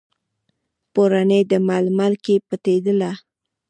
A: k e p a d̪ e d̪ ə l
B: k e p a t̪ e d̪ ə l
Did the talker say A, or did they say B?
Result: B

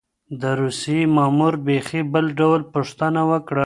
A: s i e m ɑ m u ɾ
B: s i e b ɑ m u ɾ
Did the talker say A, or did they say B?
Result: A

